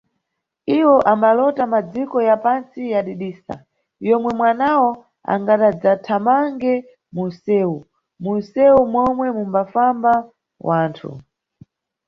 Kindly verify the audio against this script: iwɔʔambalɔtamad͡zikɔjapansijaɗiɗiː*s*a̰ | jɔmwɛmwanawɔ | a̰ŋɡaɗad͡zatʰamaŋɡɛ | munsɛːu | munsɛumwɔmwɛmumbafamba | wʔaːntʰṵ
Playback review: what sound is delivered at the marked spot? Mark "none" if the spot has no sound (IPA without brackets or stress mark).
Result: s